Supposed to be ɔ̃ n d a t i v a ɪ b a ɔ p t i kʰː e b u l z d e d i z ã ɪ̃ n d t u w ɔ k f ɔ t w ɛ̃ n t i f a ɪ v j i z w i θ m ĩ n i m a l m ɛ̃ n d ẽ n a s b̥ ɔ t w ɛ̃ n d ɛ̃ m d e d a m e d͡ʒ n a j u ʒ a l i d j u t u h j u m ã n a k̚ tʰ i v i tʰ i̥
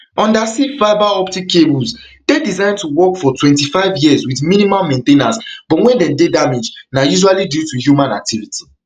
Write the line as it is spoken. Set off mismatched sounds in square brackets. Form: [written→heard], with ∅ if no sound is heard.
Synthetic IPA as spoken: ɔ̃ n d a [t→s] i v a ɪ b a ɔ p t i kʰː e b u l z d e d i z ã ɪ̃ n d t u w ɔ k f ɔ t w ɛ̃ n t i f a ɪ v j i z w i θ m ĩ n i m a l m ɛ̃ n [d→t] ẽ n a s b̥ ɔ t w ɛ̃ n d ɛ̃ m d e d a m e d͡ʒ n a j u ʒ a l i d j u t u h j u m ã n a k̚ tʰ i v i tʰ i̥